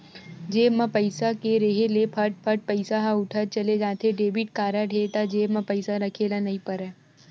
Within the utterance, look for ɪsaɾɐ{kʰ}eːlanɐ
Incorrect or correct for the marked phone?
correct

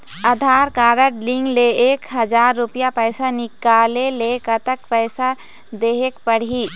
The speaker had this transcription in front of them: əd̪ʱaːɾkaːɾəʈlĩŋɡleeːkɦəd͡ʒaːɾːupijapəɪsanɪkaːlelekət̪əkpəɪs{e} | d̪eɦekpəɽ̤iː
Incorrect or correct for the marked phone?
incorrect: a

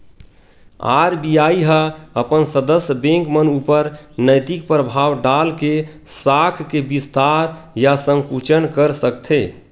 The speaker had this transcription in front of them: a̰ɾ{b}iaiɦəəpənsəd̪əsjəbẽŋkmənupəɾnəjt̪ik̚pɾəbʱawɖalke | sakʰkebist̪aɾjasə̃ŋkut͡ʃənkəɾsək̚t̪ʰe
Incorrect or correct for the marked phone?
correct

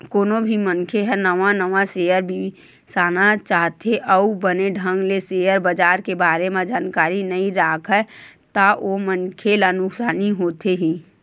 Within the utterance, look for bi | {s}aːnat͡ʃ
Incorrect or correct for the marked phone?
correct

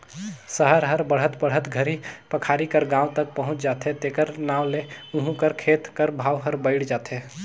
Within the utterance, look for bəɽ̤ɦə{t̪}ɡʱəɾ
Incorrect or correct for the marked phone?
correct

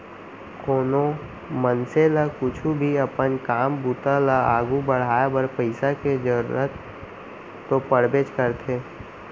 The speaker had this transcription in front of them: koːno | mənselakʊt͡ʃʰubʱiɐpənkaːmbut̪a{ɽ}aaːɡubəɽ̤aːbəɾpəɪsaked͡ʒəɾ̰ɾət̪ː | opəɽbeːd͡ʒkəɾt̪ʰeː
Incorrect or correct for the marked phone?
incorrect: l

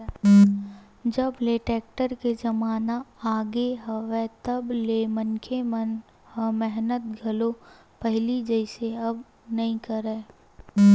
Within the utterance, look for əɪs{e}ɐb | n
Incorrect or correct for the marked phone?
correct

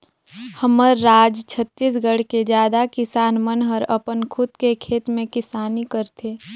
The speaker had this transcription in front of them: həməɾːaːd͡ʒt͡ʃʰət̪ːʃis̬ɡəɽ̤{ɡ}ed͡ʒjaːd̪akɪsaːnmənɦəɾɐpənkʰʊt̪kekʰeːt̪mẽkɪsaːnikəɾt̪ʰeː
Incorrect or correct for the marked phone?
incorrect: k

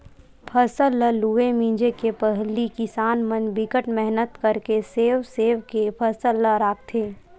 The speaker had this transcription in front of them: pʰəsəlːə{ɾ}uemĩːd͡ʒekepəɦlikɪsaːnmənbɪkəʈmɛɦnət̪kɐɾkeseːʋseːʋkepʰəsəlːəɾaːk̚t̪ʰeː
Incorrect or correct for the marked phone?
incorrect: l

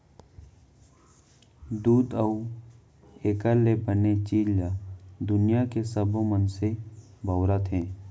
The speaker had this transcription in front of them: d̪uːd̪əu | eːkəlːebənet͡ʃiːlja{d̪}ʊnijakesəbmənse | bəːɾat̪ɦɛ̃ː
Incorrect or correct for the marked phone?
correct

